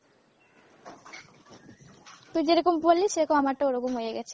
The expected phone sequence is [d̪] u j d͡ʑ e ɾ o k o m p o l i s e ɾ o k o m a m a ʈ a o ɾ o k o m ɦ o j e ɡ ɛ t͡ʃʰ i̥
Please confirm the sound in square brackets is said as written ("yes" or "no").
no